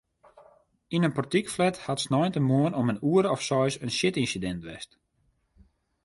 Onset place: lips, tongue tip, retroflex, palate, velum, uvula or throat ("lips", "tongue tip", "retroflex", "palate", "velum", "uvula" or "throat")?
tongue tip